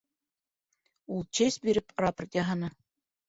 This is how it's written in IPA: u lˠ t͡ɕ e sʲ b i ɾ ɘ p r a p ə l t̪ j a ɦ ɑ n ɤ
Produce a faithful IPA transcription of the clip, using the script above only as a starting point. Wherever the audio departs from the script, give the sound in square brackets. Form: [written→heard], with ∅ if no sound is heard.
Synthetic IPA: u lˠ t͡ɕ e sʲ b i ɾ ɘ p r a p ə [l→r] t̪ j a ɦ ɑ n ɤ